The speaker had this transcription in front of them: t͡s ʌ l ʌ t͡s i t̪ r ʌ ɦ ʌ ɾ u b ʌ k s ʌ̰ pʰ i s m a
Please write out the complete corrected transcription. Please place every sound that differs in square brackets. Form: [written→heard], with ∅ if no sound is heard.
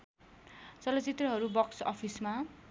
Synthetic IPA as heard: t͡s ʌ l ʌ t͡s i t̪ r ʌ ɦ ʌ ɾ u b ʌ k s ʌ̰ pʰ i s m a